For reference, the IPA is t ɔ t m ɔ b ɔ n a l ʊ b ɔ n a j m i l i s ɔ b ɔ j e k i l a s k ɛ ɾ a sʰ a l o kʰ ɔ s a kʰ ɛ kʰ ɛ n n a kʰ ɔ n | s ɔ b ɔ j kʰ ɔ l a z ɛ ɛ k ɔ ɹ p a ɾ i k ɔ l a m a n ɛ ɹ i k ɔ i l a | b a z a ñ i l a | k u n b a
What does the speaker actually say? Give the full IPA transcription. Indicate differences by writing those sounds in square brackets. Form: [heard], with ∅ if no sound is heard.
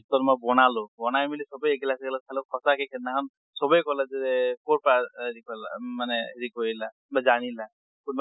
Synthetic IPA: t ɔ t m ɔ b ɔ n a l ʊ b ɔ n a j m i l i s ɔ b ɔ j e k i l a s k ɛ [l] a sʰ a l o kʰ ɔ s a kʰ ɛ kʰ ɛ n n a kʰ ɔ n | s ɔ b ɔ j [k] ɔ l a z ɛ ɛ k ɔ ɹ p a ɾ i k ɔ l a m a n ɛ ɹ i k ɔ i l a | b a z a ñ i l a | k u n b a

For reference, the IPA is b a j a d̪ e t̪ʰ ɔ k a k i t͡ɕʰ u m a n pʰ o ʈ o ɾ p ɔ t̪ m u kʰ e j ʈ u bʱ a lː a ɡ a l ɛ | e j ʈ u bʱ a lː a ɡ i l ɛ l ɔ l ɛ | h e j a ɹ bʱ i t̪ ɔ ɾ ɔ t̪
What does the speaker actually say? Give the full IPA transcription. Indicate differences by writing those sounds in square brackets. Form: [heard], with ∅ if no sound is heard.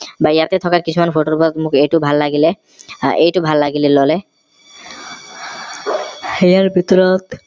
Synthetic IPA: b a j a [t̪] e t̪ʰ ɔ k a k i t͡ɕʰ u m a n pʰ o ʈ o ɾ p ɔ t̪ m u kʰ e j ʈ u bʱ a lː a ɡ [i] l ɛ | e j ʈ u bʱ a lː a ɡ i l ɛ l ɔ l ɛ | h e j a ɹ bʱ i t̪ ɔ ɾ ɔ t̪

